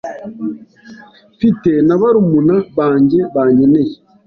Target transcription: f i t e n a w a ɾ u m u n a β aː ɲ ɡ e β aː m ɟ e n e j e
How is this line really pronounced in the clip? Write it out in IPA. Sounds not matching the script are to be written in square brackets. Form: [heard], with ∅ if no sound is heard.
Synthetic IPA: f i t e n a [β] a ɾ u m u n a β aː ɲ [ɟ] e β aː [ɲ] ɟ e n e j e